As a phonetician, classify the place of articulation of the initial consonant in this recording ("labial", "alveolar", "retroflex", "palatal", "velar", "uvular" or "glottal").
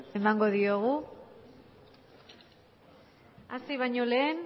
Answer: labial